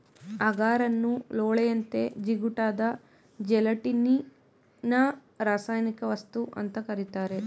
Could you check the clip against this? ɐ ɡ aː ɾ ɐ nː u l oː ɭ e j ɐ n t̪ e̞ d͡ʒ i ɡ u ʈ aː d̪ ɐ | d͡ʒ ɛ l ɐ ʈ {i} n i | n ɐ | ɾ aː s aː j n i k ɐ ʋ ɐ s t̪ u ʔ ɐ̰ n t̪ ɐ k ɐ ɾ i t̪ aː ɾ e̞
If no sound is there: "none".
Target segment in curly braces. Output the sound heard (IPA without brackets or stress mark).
i